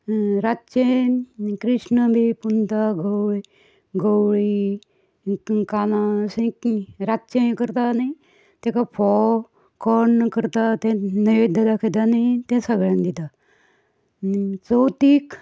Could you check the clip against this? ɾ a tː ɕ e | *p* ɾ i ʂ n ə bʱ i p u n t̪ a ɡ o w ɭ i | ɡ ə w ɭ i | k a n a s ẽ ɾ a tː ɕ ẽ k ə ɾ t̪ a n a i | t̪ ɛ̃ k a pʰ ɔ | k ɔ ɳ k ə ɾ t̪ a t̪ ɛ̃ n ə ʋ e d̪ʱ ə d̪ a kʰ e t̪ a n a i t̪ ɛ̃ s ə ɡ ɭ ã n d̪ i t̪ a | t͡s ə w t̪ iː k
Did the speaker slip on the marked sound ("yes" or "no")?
yes